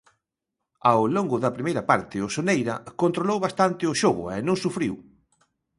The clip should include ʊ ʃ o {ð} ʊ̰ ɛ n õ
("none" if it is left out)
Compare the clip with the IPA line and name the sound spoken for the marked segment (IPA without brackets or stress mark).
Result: ɣ